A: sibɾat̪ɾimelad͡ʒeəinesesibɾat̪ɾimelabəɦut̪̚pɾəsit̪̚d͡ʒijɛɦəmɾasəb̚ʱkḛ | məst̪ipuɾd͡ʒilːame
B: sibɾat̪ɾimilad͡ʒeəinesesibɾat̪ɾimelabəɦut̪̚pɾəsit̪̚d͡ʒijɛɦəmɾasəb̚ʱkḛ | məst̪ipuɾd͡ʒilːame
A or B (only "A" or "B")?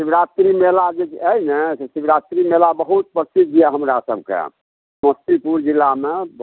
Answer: A